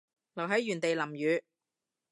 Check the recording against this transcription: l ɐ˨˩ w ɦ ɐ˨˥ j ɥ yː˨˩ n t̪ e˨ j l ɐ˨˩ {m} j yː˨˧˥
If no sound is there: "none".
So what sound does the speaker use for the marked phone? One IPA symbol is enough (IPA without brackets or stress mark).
m